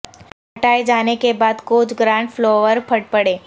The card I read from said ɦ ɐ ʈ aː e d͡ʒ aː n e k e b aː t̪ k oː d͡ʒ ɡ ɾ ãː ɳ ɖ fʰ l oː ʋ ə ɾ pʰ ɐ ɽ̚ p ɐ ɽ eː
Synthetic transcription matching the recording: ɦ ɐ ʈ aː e d͡ʒ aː n e k e b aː d̪ k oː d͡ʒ ɡ ɾ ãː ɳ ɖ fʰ l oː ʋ ə ɾ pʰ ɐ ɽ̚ p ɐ ɽ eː